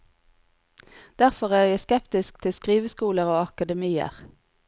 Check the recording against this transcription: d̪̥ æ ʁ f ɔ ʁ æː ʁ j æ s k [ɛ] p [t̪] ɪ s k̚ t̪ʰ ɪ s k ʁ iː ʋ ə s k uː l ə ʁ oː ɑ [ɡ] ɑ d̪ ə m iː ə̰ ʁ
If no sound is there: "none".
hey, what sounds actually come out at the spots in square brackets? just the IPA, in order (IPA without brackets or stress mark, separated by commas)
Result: ɛ, t̪, k